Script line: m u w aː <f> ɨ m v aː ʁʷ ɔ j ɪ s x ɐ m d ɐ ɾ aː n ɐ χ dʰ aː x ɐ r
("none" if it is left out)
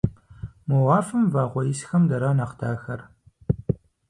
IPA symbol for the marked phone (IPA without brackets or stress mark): f